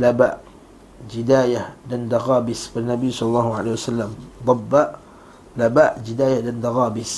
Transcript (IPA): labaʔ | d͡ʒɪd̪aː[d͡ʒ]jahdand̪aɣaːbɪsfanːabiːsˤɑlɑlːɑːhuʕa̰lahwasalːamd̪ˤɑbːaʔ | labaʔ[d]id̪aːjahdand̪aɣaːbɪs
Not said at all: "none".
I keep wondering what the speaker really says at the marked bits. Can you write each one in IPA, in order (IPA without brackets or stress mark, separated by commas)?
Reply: none, d͡ʒ